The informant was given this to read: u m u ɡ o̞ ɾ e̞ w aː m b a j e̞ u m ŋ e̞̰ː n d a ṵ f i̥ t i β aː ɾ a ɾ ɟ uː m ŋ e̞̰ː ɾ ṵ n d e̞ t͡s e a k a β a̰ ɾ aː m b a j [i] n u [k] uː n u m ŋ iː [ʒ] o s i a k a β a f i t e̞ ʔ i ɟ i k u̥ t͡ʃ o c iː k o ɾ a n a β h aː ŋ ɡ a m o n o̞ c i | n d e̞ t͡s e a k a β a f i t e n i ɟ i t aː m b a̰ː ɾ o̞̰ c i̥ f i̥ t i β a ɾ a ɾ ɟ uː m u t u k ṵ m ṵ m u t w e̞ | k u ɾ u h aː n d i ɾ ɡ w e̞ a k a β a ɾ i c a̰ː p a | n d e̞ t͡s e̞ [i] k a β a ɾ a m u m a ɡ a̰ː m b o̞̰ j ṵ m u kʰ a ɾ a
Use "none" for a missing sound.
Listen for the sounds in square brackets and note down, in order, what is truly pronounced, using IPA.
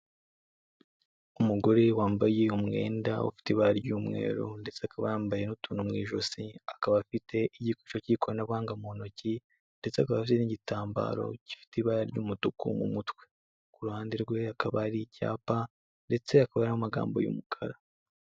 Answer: e, t, ʒ, a

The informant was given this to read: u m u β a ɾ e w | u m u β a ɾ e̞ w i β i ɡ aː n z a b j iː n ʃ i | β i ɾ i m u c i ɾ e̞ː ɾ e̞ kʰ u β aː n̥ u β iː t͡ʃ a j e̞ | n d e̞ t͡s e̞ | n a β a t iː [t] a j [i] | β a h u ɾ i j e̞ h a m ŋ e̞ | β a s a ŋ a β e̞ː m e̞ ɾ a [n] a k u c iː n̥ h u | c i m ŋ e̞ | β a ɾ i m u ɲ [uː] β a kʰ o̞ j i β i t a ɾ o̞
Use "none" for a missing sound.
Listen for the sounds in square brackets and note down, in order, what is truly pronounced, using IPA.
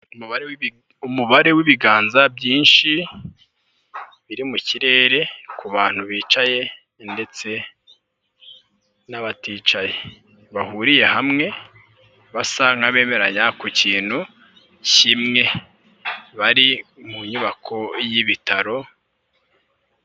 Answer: t͡ʃ, e, ɲ, u

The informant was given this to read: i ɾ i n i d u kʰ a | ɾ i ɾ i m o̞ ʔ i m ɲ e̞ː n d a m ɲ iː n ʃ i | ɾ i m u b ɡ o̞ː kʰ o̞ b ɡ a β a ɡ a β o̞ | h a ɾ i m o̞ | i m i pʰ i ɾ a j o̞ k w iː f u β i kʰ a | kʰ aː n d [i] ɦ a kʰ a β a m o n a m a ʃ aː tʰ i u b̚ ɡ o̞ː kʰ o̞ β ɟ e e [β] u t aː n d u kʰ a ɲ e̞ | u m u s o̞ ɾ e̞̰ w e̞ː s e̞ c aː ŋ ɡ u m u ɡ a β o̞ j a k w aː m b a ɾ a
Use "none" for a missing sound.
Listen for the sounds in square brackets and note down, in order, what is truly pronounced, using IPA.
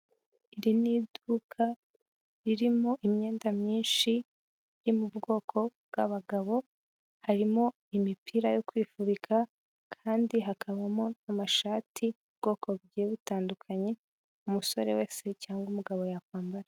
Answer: i, β

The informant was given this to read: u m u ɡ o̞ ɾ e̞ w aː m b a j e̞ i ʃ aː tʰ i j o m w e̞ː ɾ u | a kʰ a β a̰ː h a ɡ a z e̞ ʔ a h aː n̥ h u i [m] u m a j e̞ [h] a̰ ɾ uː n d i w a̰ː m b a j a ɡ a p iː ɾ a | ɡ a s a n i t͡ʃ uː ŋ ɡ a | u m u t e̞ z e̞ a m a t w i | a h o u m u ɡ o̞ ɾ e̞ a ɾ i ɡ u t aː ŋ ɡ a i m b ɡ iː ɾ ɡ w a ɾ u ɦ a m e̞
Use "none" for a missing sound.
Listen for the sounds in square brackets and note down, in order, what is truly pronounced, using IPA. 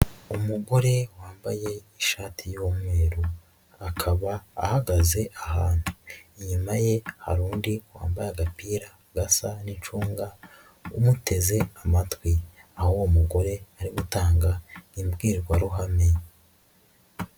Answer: ɲ, h

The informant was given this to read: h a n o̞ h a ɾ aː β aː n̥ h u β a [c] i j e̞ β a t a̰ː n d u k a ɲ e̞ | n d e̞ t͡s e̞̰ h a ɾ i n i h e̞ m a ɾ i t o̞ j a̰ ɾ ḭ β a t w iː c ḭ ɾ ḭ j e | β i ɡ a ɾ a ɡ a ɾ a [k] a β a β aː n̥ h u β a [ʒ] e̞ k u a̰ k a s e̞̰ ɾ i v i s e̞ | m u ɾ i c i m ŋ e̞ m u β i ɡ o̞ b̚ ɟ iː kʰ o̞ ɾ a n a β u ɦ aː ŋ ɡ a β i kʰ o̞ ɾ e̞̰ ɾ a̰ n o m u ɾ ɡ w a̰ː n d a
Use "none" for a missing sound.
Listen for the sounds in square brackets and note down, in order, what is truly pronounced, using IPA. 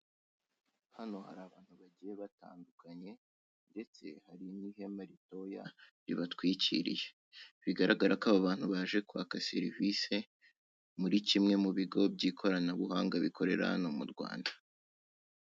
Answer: ɟ, k, ʒ

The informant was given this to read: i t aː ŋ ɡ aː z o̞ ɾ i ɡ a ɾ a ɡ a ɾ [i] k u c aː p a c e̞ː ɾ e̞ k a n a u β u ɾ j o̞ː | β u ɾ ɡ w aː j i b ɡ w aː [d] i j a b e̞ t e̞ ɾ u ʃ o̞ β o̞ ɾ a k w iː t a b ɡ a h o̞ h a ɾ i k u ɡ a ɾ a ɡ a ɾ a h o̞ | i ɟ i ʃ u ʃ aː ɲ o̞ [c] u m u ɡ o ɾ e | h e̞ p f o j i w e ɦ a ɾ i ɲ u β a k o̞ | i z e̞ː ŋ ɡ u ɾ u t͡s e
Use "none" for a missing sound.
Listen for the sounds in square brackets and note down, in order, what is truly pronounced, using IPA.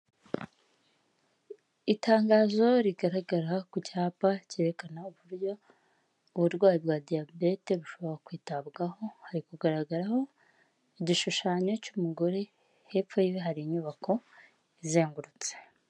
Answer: a, d, c

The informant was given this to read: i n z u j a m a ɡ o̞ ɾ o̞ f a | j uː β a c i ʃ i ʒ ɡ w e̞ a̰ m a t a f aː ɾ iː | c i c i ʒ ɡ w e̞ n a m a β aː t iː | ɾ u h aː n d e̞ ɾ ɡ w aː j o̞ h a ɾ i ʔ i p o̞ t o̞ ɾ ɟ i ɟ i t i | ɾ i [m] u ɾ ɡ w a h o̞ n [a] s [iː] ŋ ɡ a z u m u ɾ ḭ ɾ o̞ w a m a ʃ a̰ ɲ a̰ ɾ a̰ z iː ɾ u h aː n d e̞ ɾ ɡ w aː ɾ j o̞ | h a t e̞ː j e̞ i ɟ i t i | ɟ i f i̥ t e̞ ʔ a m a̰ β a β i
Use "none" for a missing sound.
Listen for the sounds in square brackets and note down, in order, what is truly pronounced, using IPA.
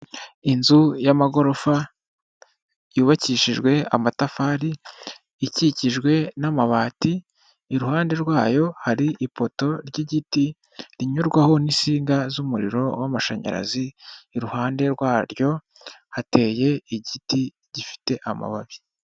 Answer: ɲ, i, iː

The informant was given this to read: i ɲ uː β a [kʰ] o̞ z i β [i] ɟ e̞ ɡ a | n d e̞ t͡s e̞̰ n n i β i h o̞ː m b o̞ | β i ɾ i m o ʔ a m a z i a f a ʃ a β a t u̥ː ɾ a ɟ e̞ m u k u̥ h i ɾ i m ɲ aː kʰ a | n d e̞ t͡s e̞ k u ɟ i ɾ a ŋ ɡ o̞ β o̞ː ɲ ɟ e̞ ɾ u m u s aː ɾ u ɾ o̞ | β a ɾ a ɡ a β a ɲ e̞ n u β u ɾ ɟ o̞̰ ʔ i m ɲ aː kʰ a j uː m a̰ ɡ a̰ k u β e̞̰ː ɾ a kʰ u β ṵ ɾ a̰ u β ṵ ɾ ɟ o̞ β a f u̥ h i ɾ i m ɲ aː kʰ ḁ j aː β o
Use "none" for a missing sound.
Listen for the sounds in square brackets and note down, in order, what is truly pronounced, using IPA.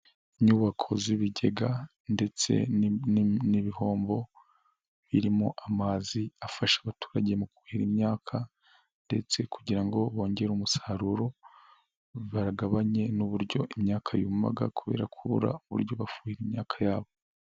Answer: kʰ, i

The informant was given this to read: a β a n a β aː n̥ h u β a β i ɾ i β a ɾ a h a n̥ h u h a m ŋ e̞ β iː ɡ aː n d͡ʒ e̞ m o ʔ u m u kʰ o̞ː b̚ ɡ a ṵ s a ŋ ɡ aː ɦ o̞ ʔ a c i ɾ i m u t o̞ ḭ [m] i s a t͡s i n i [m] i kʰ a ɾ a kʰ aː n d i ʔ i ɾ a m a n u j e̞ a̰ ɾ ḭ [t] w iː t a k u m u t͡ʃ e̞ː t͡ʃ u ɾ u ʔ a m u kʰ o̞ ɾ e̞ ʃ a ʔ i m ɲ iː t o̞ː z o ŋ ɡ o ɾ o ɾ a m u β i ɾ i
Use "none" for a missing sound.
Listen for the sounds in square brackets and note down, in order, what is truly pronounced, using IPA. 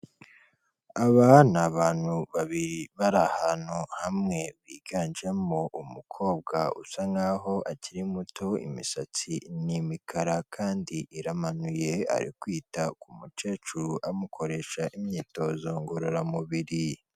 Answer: m, m, k

